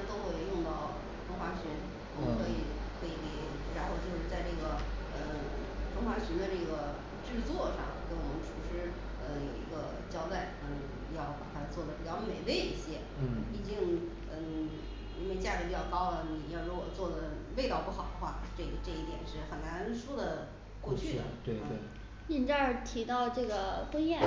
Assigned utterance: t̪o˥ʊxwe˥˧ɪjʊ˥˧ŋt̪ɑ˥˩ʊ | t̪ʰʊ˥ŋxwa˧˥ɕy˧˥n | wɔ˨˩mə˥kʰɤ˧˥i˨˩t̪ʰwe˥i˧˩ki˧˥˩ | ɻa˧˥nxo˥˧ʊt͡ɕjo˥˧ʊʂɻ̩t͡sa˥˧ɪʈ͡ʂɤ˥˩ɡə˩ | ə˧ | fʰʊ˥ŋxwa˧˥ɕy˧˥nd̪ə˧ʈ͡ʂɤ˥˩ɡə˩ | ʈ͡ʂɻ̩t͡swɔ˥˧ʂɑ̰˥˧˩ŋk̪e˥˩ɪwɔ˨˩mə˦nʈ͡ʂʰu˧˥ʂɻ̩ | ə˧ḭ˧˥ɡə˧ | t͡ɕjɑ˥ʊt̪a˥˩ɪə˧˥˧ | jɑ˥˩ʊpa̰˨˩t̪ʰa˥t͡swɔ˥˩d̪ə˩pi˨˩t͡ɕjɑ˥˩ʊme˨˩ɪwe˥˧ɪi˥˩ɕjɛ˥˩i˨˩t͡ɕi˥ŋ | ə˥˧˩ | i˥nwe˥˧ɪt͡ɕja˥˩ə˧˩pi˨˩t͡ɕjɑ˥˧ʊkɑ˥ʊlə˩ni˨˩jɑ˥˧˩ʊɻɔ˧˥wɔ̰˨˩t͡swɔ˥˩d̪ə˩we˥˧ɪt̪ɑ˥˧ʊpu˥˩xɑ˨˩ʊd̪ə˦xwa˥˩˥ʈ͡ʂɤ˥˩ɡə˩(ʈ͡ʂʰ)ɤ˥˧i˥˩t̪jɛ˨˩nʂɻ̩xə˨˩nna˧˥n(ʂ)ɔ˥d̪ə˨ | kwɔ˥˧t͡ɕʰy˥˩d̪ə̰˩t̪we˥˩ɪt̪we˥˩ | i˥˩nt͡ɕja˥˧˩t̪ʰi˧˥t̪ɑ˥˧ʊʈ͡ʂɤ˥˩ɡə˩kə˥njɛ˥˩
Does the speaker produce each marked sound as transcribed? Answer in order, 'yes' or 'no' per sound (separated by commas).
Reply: no, yes